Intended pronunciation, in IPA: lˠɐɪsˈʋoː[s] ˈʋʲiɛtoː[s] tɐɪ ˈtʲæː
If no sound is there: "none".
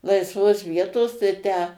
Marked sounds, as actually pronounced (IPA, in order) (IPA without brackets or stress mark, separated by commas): s, s